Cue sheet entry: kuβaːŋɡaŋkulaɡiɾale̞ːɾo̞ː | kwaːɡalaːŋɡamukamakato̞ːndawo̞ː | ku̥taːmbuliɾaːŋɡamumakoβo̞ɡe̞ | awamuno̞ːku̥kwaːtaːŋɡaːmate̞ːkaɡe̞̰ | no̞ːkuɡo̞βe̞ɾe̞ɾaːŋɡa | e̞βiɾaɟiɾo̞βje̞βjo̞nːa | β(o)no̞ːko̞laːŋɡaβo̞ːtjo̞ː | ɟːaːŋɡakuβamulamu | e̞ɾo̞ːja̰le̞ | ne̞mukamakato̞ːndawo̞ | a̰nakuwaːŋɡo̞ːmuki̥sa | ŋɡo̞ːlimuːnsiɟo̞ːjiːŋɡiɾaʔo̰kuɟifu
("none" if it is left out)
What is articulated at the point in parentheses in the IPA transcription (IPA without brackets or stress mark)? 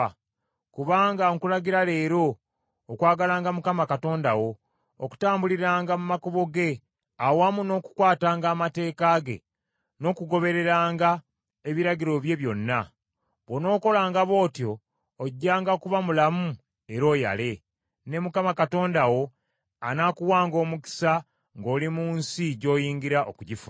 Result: o